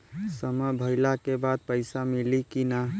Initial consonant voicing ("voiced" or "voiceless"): voiceless